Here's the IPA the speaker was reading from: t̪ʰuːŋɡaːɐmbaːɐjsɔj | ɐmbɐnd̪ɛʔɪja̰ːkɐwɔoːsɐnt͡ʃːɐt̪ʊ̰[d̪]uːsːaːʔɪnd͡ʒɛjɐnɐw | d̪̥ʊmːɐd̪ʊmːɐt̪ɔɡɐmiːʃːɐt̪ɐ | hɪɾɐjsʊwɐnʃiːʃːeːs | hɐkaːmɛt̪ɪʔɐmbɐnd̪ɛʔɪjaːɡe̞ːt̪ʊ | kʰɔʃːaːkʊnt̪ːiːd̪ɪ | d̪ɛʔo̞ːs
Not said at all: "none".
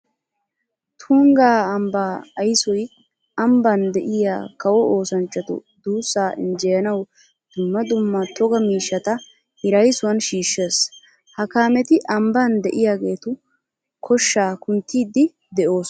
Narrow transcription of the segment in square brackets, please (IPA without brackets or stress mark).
d̪